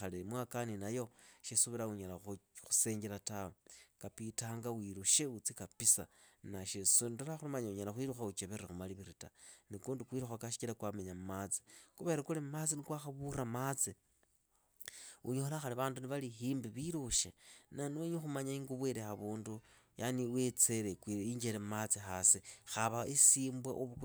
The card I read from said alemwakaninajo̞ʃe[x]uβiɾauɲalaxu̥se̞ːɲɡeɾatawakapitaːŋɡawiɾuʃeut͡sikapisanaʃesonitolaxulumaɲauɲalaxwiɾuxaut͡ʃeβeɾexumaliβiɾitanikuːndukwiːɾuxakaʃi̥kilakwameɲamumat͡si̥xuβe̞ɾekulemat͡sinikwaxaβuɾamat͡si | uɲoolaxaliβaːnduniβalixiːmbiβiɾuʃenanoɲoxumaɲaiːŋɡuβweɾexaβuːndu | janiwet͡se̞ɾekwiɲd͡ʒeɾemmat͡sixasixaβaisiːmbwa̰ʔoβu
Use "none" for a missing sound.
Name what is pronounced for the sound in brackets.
s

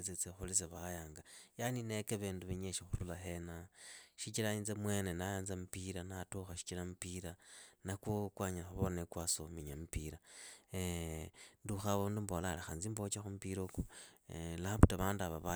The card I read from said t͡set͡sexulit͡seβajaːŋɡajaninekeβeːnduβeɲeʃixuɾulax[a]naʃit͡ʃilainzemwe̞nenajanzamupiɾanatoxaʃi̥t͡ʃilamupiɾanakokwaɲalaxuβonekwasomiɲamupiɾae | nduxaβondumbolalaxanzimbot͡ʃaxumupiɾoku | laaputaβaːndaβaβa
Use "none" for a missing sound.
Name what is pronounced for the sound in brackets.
e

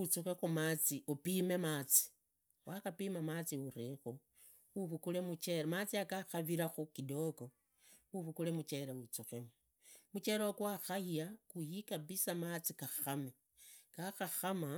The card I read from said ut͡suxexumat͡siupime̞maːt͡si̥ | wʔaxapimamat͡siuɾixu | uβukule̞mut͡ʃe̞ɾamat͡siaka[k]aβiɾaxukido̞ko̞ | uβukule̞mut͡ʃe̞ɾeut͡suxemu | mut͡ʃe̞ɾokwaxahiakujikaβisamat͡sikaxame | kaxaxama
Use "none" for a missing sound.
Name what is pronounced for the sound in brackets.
x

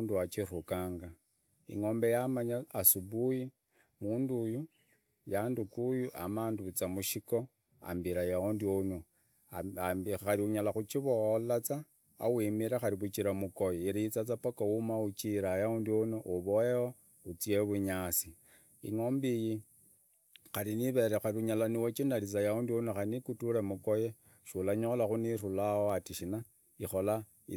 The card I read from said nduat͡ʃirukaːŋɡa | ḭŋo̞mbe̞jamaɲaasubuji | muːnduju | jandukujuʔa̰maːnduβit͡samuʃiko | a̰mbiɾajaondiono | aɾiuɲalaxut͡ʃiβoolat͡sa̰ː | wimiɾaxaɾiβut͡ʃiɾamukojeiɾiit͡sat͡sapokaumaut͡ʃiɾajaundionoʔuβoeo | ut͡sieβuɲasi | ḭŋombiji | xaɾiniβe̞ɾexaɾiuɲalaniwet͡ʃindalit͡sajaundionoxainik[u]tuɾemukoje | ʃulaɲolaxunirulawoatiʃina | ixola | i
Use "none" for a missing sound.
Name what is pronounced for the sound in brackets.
u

